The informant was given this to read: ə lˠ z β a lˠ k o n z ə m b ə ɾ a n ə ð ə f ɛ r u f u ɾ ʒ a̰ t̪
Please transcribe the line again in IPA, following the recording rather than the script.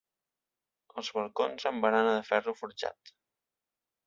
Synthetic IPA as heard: ə lˠ z β ə lˠ k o n z ə m b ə ɾ a n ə ð ə f ɛ r u f u ɾ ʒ a̰ t̪